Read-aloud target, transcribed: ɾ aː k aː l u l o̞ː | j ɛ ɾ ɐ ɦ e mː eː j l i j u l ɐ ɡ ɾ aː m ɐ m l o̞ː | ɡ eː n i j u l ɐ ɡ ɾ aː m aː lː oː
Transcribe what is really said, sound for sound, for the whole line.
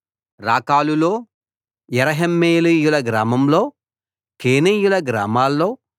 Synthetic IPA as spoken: ɾ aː k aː l u l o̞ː | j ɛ ɾ ɐ ɦ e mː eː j l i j u l ɐ ɡ ɾ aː m ɐ m l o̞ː | k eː n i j u l ɐ ɡ ɾ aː m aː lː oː